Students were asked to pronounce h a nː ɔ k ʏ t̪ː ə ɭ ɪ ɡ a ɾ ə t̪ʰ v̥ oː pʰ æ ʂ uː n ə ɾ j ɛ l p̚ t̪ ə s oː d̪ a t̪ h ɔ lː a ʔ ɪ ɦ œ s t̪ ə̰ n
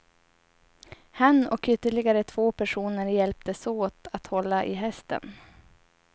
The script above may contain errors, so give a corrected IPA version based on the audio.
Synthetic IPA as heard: h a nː ɔ k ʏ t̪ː ə ɭ ɪ ɡ a ɾ ə t̪ʰ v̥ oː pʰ æ ʂ uː n ə ɾ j ɛ l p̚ t̪ ə s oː t̪ a t̪ h ɔ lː a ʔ ɪ ɦ ɛ s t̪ ə̰ n